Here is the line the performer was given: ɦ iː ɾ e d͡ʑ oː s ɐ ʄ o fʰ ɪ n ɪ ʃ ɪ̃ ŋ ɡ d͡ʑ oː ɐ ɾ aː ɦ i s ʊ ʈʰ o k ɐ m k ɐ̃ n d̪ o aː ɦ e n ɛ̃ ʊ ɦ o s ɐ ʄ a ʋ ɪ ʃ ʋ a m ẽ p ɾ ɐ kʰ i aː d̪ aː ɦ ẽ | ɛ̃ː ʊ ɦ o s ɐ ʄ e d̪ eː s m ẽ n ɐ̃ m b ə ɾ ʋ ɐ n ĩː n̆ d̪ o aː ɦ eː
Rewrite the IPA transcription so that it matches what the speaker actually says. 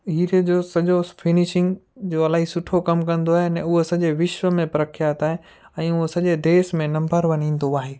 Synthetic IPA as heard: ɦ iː ɾ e d͡ʑ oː s ɐ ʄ o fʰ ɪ n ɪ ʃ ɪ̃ ŋ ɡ d͡ʑ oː ɐ l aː ɦ i s ʊ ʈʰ o k ɐ m k ɐ̃ n d̪ o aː ɦ e n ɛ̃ ʊ ɦ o s ɐ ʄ e ʋ ɪ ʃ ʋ ə m ẽ p ɾ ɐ kʰ j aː t̪ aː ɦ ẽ | ɛ̃ː ʊ ɦ o s ɐ ʄ e d̪ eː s m ẽ n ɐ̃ m b ə ɾ ʋ ɐ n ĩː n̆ d̪ o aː ɦ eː